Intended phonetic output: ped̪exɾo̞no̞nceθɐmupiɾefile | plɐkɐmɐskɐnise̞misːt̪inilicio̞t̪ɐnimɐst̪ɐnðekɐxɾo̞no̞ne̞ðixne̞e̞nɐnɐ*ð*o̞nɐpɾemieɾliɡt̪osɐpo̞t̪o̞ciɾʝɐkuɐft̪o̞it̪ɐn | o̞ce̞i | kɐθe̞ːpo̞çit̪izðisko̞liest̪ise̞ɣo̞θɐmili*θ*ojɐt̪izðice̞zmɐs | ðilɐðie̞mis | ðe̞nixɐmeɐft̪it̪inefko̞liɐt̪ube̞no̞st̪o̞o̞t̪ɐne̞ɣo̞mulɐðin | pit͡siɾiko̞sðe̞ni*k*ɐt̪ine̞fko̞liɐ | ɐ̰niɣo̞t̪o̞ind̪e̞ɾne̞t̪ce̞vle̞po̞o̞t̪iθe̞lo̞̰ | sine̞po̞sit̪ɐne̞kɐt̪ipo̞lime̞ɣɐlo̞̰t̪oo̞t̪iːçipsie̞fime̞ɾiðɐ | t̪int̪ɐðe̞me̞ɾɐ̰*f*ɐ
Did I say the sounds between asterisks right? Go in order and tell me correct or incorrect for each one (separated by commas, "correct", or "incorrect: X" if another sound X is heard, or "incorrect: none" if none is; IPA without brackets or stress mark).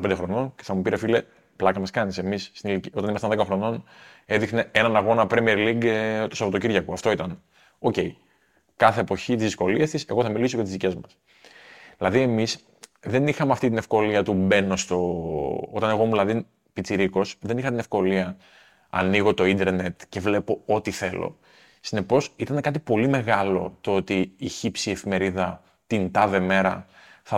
incorrect: ɣ, incorrect: s, incorrect: x, incorrect: θ